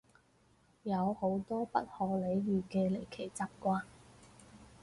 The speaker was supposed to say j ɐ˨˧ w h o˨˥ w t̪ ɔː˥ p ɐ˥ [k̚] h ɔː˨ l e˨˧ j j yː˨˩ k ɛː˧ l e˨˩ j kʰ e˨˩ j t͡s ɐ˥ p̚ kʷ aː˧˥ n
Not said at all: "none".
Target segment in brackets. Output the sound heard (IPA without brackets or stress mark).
t̚